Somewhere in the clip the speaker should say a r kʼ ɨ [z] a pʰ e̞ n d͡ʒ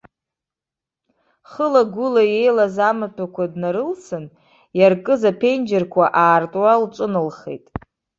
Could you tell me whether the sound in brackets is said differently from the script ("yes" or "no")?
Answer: no